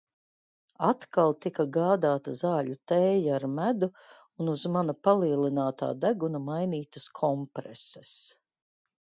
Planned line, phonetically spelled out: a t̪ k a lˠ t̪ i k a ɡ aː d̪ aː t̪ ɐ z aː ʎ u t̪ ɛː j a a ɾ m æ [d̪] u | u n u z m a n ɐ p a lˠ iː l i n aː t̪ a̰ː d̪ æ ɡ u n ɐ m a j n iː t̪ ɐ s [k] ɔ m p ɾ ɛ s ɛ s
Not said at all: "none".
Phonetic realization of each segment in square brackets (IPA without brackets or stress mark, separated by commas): d̪, kʰ